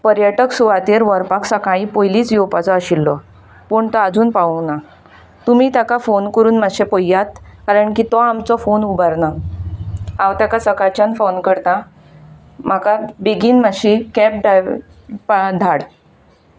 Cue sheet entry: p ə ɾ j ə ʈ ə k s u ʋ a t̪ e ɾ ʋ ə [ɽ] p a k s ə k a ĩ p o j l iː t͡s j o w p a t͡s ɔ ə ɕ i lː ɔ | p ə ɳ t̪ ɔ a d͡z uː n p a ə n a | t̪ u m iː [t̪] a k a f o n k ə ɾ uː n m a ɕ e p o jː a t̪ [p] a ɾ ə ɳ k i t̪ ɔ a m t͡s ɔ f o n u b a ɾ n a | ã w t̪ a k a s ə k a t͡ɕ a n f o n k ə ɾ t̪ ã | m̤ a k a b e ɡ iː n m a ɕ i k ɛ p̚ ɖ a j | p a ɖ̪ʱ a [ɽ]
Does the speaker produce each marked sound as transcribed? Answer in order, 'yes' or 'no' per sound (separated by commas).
no, yes, no, yes